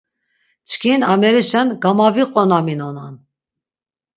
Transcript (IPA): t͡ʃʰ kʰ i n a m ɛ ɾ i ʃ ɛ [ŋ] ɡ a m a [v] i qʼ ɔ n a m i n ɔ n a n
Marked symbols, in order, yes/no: no, yes

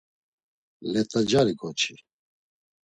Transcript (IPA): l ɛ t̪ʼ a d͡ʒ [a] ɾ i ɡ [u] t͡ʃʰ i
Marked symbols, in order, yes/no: yes, no

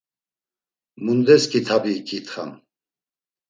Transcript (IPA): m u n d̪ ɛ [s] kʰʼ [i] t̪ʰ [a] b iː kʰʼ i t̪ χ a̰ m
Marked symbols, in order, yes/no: yes, yes, yes

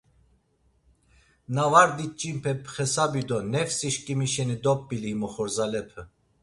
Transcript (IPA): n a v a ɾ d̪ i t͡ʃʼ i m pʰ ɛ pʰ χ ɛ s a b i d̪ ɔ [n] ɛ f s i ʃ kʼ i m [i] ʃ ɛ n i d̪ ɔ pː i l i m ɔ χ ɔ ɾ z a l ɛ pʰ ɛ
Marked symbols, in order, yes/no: yes, yes

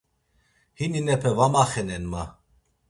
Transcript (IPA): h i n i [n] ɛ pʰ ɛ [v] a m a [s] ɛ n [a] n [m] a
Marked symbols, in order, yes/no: yes, yes, no, no, yes

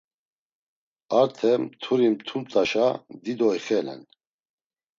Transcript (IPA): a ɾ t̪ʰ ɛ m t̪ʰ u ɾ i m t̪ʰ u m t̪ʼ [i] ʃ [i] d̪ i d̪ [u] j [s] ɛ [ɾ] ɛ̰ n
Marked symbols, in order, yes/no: no, no, no, no, no

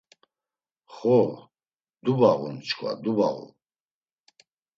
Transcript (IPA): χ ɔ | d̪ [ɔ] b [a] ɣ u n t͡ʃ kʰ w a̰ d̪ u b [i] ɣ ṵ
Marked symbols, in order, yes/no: no, yes, no

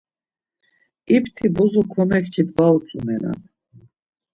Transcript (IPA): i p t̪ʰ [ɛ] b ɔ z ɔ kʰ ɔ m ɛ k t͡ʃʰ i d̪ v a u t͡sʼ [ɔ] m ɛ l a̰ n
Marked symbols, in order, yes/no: no, no

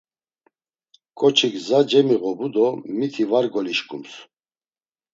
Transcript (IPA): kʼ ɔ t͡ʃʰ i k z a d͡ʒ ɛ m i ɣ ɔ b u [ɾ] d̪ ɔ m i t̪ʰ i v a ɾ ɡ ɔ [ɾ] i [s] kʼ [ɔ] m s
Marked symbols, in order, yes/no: no, no, no, no

